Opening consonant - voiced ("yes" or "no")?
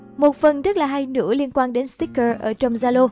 yes